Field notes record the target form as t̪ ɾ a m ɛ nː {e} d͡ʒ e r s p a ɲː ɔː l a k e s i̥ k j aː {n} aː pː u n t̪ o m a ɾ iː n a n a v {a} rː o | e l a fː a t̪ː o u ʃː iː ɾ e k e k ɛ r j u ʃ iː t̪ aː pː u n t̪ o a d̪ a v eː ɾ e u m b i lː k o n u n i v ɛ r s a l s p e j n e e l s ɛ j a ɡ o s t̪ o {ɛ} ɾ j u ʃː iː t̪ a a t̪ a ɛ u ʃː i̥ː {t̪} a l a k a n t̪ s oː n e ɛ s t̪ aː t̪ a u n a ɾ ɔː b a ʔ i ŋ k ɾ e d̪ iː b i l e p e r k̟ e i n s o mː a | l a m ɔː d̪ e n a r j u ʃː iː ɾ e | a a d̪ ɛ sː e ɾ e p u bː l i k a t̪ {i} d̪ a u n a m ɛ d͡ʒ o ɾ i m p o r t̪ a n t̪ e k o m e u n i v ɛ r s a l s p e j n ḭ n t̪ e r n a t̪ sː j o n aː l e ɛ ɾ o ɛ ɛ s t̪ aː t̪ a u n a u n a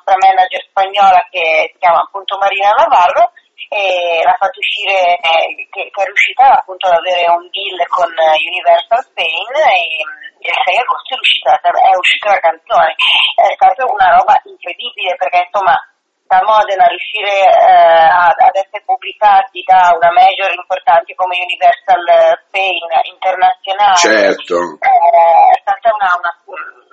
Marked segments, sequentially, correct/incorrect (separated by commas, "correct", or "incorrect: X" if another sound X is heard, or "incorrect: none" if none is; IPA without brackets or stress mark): incorrect: a, incorrect: m, correct, correct, correct, correct